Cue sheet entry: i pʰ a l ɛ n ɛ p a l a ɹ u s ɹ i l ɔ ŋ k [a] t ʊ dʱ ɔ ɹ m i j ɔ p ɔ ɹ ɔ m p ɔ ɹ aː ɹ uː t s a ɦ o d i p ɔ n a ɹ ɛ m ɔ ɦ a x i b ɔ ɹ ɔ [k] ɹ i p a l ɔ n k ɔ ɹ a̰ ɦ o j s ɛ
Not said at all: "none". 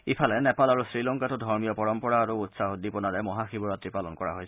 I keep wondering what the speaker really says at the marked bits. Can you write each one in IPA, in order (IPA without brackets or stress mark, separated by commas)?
a, t